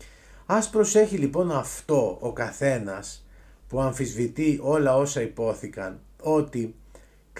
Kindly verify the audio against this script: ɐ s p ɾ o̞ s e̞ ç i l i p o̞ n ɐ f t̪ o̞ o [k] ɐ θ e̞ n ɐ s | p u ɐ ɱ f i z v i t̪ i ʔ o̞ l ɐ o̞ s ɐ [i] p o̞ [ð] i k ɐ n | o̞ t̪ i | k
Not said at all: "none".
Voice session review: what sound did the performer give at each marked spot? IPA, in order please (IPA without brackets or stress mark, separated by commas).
k, i, θ